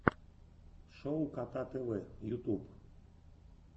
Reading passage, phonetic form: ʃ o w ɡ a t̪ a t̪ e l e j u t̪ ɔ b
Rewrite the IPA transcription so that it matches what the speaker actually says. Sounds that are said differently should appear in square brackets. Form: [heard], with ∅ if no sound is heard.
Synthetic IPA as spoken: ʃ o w [k] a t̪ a t̪ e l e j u t̪ [u] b